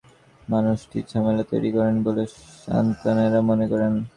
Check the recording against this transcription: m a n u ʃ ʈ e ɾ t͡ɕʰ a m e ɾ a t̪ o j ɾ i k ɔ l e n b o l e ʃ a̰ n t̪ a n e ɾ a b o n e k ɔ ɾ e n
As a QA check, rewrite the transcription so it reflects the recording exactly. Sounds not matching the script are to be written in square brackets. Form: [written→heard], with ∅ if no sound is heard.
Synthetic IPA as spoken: m a n u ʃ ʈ [e→i] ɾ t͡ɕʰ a m e [ɾ→l] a t̪ o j ɾ i k ɔ [l→ɾ] e n b o l e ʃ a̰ n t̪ a n e ɾ a [b→m] o n e k ɔ ɾ e n